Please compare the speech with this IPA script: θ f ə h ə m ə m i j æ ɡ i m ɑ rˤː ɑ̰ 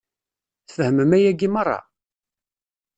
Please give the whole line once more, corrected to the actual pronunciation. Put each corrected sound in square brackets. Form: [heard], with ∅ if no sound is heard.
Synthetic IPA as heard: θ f ə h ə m ə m [æ] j æ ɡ i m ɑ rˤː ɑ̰